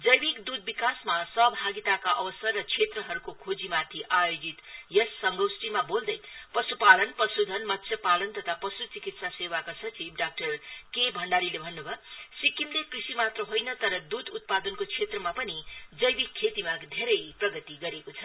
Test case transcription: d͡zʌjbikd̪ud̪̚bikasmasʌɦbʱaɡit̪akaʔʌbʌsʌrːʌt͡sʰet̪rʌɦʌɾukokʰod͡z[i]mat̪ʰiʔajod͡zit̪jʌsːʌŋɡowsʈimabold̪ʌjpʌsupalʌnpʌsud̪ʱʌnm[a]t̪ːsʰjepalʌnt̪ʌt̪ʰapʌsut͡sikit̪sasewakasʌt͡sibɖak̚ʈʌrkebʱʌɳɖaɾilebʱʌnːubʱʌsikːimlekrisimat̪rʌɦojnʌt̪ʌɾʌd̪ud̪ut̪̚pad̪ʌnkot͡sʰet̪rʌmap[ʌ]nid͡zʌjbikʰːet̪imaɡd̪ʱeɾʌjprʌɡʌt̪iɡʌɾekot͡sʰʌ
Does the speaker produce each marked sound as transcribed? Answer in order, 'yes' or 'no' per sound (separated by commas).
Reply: yes, no, yes